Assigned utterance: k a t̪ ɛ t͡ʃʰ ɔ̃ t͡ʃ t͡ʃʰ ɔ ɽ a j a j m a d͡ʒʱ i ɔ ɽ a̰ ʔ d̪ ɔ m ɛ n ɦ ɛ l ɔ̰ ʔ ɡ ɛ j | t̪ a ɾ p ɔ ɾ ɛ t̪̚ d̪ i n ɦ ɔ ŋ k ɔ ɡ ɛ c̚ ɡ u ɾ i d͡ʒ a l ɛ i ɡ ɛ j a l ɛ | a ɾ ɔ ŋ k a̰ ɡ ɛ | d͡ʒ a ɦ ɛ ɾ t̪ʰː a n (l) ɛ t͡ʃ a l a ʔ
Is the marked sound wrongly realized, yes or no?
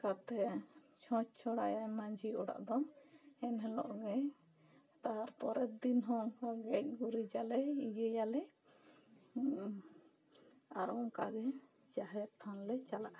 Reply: no